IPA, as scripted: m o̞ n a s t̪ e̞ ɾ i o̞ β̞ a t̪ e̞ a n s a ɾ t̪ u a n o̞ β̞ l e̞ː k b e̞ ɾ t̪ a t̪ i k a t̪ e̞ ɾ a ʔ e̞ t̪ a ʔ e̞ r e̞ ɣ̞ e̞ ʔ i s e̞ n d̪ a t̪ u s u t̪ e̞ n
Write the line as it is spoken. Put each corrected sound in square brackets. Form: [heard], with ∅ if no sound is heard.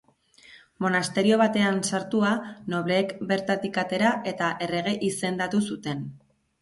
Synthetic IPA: m o̞ n a s t̪ e̞ ɾ i o̞ β̞ a t̪ e̞ a n s a ɾ t̪ u a n o̞ β̞ l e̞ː k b e̞ ɾ t̪ a t̪ i k a t̪ e̞ ɾ a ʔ e̞ t̪ a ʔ e̞ r e̞ ɣ̞ e̞ ʔ i s e̞ n d̪ a t̪ u s u t̪ e̞ n